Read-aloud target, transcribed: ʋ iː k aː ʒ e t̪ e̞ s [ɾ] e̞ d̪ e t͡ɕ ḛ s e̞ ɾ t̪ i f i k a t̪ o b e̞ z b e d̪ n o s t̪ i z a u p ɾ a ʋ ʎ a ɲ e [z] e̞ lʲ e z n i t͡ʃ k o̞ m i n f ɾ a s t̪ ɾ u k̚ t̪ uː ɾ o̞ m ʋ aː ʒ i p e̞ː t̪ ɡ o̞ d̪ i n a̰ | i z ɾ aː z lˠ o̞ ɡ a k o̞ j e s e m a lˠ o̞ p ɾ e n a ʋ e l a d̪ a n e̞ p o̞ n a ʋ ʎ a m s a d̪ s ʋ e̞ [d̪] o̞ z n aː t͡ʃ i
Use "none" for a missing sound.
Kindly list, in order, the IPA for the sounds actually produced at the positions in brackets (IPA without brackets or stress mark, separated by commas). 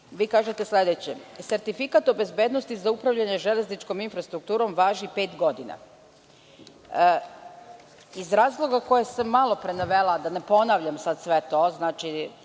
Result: l, ʒ, t̪